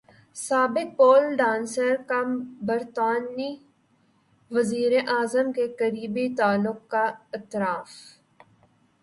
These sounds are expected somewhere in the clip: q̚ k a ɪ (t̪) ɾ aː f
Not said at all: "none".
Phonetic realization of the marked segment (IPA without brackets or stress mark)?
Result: t̪